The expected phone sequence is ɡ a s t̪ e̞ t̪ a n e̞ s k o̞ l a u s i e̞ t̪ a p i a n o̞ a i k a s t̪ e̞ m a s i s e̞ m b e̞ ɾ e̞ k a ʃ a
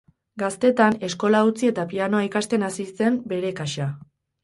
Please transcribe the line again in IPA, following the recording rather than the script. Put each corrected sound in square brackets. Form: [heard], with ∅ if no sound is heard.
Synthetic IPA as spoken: ɡ a s t̪ e̞ t̪ a n e̞ s k o̞ l a u [t͡s] i e̞ t̪ a p i a n o̞ a i k a s t̪ e̞ [n] a s i s e̞ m b e̞ ɾ e̞ k a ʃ a